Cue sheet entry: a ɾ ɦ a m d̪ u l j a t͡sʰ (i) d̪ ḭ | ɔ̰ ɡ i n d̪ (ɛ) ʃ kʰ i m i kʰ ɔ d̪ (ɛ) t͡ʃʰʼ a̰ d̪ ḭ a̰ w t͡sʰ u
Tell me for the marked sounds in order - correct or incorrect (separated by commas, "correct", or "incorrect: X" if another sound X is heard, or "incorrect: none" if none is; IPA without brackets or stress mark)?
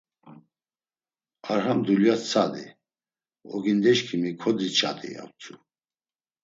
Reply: incorrect: a, correct, incorrect: i